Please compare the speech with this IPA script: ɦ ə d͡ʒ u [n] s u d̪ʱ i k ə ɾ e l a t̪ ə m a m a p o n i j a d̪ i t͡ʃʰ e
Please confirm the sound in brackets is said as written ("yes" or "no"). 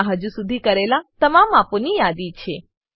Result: no